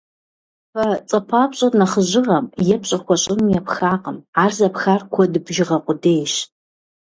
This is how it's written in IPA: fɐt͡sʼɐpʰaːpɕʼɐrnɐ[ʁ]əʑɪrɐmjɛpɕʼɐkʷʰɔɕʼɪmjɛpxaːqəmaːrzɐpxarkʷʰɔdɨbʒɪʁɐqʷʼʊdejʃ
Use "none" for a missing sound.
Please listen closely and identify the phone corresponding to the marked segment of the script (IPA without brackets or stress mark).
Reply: χ